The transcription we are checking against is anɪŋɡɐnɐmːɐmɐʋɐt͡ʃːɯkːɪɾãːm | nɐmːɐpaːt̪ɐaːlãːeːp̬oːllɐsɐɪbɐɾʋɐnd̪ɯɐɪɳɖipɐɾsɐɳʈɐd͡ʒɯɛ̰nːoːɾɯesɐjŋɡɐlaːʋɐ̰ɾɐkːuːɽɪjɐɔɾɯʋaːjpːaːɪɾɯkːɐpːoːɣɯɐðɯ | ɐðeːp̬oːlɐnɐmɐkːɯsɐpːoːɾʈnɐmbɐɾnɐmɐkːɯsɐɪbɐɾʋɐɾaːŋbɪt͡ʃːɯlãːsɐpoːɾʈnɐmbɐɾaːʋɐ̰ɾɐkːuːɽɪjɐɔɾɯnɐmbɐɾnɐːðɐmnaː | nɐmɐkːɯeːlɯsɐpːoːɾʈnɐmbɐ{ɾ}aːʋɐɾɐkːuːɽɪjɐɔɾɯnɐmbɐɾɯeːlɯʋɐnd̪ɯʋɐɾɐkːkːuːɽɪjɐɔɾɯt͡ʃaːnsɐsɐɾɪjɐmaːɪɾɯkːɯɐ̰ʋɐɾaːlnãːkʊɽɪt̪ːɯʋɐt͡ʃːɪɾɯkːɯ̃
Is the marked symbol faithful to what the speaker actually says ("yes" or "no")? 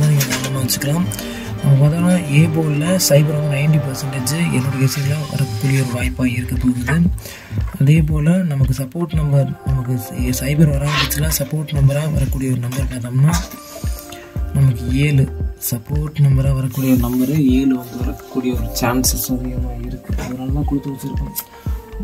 yes